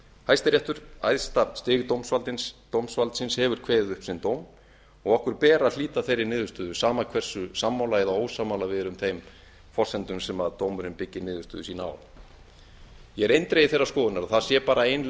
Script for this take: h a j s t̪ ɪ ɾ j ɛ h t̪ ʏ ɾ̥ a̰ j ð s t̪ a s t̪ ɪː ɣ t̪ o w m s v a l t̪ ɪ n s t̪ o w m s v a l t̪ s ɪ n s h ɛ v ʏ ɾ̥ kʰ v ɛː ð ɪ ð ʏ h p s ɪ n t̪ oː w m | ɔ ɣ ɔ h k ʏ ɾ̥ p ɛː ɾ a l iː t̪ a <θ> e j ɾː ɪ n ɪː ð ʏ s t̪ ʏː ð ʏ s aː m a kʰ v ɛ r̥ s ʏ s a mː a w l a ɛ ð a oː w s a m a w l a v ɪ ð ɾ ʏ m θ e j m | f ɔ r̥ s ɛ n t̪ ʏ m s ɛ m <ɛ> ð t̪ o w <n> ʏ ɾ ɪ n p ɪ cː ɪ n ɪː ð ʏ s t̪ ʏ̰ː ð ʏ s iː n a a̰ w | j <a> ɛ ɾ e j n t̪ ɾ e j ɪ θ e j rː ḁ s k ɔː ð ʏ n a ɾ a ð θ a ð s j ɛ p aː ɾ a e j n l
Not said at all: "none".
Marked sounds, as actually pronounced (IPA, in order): θ, a, m, ɛ

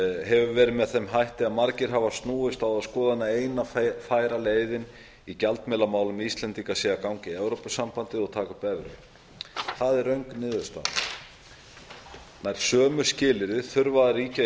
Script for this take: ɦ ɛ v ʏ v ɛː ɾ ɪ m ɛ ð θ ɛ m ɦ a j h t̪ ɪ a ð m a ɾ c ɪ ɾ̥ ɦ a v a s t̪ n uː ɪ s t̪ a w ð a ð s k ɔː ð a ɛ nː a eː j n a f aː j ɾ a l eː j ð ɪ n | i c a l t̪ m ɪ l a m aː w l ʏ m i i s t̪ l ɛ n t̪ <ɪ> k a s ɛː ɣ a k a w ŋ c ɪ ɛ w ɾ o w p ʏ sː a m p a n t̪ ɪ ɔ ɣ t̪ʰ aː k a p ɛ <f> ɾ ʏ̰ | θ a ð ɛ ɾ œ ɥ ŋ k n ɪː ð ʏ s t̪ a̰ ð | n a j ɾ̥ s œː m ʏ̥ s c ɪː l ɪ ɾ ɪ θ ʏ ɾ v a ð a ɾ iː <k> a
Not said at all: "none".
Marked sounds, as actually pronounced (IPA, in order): i, v, c

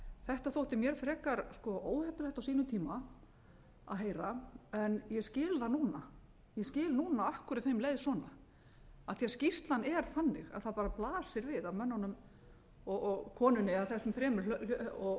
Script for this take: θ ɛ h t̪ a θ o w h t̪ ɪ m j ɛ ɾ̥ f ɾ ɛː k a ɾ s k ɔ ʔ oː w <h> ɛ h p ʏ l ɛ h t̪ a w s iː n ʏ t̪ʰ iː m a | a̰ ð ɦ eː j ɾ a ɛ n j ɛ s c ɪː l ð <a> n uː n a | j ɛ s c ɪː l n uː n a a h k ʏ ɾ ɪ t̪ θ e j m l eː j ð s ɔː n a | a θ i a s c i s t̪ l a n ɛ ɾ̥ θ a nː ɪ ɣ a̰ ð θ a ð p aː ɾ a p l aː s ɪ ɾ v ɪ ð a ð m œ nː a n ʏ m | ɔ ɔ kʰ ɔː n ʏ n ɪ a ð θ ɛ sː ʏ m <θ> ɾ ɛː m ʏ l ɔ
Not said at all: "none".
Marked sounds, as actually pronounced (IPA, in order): h, a, θ

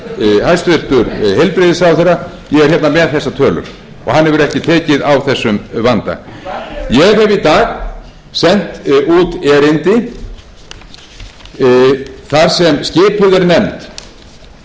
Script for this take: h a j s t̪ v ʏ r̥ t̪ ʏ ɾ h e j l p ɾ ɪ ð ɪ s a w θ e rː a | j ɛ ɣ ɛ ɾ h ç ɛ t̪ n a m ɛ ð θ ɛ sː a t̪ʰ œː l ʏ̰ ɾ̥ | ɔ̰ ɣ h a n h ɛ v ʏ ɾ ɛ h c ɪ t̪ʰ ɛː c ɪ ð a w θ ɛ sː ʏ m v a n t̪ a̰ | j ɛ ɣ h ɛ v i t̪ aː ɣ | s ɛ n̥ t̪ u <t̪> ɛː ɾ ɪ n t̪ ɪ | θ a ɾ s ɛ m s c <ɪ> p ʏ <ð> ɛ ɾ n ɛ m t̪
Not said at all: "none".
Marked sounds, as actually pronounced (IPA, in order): t̪, ɪː, ð

